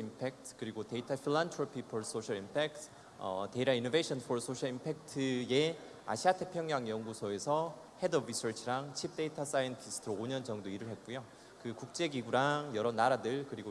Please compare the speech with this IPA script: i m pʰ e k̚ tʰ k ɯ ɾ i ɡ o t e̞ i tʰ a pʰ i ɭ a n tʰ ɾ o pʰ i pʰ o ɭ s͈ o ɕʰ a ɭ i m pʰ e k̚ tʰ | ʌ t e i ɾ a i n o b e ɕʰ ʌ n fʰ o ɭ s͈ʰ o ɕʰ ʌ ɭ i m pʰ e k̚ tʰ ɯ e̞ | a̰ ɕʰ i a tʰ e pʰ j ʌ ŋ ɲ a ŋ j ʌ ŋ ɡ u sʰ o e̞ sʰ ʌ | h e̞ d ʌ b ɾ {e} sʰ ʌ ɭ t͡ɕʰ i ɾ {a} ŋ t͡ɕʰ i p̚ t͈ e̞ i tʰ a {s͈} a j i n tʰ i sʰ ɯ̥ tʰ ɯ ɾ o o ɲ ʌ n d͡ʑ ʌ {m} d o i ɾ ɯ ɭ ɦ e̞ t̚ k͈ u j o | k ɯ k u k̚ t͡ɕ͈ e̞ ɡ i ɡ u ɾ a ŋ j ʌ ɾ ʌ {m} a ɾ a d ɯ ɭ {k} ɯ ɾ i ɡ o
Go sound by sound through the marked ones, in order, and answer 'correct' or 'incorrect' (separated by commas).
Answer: incorrect, correct, correct, incorrect, incorrect, correct